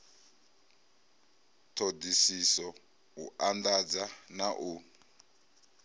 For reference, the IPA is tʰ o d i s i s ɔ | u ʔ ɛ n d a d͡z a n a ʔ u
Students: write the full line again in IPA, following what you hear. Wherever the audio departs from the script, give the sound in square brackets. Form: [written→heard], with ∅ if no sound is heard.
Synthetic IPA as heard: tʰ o d i s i s ɔ | u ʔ [ɛ→a] n d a d͡z a n a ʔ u